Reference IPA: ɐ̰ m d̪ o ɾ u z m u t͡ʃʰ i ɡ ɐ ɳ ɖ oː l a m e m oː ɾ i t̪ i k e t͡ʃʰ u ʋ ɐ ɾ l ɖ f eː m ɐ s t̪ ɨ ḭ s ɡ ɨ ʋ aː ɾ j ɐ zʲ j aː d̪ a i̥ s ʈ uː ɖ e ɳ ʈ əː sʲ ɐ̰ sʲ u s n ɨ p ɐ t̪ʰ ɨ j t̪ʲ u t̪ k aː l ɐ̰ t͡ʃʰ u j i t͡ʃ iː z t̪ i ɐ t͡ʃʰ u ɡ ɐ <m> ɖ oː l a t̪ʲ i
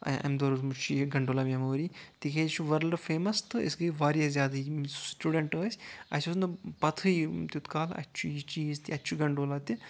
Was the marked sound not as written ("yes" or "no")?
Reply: yes